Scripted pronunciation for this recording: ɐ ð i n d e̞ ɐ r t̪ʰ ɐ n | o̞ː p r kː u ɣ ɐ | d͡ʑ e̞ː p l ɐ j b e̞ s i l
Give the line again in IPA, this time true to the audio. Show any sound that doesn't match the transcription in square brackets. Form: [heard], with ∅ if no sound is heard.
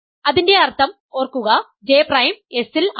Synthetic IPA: ɐ ð i n d e̞ ɐ r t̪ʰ ɐ [m] | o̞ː [∅] r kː u ɣ ɐ | d͡ʑ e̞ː p [r] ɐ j [m] e̞ s i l